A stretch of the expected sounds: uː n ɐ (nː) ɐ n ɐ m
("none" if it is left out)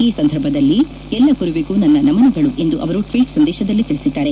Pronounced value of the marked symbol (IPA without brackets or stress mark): nː